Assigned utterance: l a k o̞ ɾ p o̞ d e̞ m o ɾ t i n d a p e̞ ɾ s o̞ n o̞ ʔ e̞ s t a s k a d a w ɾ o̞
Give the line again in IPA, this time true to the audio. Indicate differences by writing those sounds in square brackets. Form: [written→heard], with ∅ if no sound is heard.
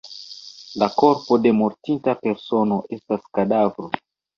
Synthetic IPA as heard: l a k o̞ ɾ p o̞ d e̞ m o ɾ t i n [d→t] a p e̞ ɾ s o̞ n o̞ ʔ e̞ s t a s k a d a [w→v] ɾ o̞